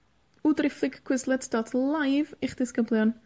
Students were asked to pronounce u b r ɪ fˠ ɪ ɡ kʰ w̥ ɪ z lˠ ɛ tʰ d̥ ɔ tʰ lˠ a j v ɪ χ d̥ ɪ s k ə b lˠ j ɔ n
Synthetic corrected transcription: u d r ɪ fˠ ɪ ɡ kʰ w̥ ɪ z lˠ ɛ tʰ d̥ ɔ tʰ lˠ a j v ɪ χ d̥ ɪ s k ə b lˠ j ɔ n